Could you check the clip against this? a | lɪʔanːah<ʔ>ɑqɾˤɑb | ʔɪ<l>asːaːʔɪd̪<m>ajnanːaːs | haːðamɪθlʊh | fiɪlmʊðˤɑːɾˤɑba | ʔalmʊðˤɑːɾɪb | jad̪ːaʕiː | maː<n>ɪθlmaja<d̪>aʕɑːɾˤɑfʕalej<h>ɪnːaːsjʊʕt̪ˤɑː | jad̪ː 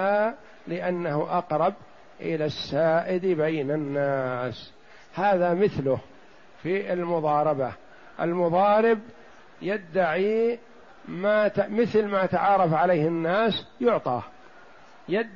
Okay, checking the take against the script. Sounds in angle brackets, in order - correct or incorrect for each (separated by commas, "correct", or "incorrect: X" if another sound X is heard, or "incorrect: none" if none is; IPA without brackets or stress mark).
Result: correct, correct, incorrect: b, incorrect: m, incorrect: t̪, correct